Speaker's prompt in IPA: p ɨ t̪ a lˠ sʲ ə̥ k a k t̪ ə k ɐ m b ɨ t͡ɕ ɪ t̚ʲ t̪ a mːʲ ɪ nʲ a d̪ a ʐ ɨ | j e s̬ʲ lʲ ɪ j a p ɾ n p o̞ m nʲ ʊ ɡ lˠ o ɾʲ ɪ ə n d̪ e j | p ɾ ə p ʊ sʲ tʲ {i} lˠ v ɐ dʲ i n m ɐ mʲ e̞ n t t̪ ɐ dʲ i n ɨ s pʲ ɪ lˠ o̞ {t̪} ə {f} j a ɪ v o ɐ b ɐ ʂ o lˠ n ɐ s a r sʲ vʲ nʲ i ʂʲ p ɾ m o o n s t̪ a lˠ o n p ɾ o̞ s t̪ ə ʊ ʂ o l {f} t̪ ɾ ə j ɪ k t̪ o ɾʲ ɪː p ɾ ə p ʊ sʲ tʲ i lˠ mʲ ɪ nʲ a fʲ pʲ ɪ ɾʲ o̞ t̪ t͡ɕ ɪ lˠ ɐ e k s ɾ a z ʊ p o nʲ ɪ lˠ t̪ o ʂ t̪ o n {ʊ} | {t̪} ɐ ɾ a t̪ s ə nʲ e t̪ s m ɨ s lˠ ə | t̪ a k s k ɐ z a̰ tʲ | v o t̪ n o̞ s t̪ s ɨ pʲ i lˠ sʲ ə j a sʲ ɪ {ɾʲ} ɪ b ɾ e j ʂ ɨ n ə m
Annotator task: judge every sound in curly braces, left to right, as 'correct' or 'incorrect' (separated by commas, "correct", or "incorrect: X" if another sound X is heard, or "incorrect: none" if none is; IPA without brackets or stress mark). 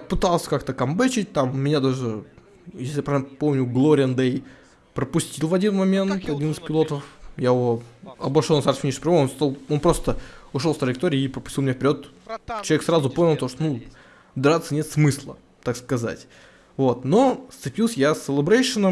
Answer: correct, correct, correct, correct, incorrect: u, incorrect: d̪, incorrect: lʲ